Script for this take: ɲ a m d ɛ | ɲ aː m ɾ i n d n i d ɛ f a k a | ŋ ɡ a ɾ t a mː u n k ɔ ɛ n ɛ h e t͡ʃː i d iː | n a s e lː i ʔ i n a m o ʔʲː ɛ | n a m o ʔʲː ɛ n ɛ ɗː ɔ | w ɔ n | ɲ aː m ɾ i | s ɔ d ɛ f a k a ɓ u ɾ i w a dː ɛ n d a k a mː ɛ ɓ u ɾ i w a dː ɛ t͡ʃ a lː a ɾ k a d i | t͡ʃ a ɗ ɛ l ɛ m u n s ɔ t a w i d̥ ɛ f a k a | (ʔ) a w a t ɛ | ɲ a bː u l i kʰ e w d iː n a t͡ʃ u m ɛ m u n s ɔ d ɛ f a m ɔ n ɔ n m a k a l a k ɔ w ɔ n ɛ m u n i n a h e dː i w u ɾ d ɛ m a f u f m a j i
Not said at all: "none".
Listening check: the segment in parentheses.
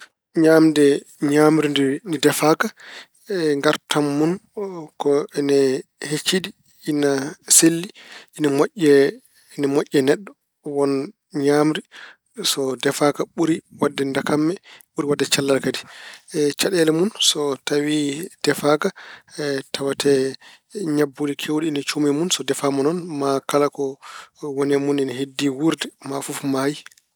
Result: t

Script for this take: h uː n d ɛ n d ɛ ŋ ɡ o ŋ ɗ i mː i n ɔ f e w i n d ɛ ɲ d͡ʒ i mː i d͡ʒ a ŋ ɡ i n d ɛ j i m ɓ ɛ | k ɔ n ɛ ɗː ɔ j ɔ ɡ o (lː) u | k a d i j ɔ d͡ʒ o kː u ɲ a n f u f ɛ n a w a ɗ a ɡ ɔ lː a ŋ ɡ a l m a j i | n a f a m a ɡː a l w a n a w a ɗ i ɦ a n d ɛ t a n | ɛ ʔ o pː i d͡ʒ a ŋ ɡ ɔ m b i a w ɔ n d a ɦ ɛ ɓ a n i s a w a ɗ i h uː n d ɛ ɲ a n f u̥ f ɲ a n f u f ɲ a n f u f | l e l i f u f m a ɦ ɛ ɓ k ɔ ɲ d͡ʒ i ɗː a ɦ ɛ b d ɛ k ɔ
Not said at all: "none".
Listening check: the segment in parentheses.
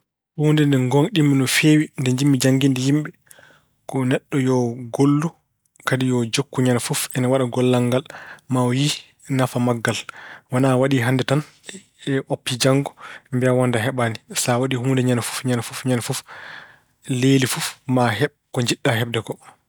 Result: lː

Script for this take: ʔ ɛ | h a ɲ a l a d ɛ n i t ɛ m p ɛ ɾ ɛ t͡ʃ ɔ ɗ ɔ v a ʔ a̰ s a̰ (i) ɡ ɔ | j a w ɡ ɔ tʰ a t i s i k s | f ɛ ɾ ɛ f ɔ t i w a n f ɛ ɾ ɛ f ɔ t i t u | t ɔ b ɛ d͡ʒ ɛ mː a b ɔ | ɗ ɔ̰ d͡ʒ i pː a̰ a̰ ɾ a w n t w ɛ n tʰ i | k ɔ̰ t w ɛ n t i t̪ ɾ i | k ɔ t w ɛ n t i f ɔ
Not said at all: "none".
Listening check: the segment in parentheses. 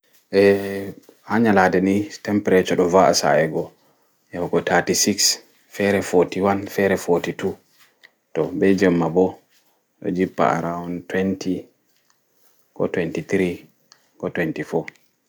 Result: ɛ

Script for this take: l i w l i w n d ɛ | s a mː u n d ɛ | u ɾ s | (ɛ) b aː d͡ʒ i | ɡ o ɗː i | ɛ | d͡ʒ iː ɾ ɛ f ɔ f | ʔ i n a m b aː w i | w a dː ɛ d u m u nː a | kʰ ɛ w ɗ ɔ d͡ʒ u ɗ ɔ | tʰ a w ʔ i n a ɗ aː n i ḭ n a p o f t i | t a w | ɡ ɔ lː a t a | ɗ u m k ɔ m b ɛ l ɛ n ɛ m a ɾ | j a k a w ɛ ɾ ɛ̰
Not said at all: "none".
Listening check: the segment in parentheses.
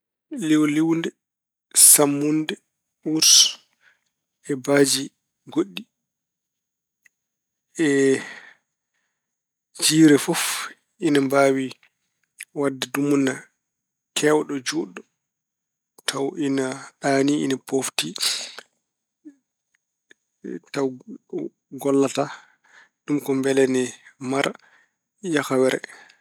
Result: ɛ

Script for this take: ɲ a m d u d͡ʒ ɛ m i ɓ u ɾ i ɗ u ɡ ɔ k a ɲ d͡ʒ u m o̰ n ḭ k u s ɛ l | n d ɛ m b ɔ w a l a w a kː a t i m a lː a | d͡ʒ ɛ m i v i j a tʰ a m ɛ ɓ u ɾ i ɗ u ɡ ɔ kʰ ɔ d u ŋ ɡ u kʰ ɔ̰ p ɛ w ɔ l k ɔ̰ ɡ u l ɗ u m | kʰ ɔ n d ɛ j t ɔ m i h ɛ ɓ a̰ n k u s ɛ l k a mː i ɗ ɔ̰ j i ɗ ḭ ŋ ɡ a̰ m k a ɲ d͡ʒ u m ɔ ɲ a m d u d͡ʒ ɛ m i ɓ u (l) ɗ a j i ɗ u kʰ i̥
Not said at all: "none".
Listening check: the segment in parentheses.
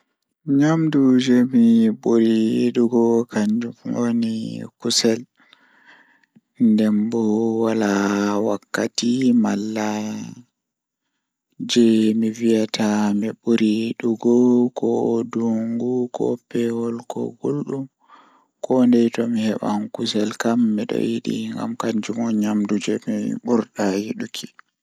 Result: ɾ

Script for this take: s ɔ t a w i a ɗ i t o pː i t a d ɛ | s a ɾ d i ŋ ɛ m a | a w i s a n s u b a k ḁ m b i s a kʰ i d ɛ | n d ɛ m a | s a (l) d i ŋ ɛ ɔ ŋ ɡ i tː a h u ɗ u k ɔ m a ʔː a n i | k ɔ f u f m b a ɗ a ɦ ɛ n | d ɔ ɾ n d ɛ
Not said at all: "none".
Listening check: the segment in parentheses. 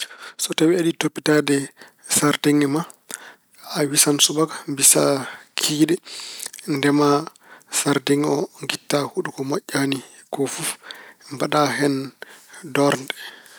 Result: ɾ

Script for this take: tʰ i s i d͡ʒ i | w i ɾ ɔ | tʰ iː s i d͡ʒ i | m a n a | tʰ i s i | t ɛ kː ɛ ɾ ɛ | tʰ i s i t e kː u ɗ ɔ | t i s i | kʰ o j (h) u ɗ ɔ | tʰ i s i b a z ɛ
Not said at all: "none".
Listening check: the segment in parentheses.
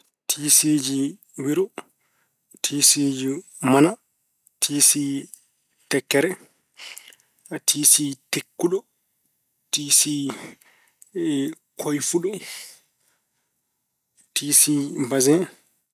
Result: f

